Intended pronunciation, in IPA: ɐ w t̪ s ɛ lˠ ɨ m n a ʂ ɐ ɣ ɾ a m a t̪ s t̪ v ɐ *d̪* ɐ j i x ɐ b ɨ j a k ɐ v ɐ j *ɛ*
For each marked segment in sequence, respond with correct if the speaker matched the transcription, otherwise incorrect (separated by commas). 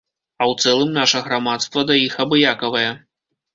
correct, correct